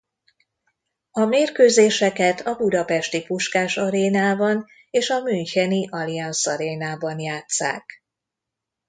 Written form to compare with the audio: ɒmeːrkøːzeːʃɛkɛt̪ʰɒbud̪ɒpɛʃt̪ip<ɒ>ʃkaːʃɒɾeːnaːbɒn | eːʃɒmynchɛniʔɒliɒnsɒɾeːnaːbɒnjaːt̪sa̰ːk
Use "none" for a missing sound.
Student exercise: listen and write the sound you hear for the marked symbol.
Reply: u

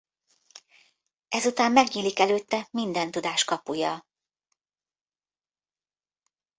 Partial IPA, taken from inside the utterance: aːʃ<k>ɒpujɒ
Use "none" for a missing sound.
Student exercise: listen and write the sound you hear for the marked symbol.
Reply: k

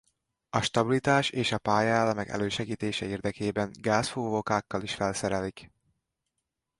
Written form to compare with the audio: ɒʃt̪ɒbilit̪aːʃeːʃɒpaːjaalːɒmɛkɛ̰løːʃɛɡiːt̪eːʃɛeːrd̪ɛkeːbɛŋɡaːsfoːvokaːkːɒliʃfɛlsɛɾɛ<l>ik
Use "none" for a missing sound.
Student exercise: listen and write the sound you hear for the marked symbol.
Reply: l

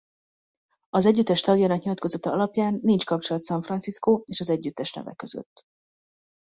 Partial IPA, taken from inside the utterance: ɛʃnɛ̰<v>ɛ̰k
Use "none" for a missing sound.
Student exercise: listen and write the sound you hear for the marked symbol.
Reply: v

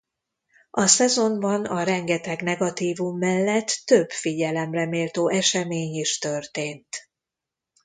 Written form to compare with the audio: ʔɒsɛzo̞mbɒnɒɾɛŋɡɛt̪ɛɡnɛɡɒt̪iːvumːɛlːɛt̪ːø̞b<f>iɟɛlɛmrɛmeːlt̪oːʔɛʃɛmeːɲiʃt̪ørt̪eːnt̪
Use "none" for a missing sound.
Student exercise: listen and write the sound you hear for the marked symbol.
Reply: f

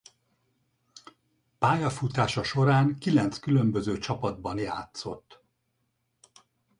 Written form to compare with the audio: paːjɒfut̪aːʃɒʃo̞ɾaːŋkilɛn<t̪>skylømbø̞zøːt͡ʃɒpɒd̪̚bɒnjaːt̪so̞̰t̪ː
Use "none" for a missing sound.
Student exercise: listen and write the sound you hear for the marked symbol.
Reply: t̪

